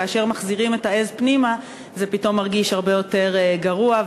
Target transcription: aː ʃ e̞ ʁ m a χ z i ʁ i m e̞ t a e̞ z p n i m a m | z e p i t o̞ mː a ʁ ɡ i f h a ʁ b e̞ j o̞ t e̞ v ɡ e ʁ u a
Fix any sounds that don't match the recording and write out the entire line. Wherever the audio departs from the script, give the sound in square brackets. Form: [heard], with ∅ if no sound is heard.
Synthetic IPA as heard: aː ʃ e̞ ʁ m a χ z i ʁ i m e̞ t a e̞ z p n i m a [∅] | z e p i t o̞ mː a ʁ ɡ i [ʃ] h a ʁ b e̞ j o̞ t e̞ [ʁ] ɡ [a] ʁ u a